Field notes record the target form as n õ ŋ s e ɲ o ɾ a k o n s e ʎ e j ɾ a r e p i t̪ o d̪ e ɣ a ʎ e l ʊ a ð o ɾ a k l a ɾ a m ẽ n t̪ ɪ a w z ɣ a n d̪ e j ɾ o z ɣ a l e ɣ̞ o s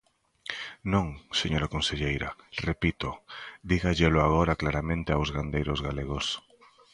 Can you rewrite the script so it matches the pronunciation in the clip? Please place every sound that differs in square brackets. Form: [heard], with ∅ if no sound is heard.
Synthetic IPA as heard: n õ ŋ s e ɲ o ɾ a k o n s e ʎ e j ɾ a r e p i t̪ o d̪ [i] ɣ a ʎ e l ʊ a [ɣ] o ɾ a k l a ɾ a m ẽ n t̪ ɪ a w z ɣ a n d̪ e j ɾ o z ɣ a l e ɣ̞ o s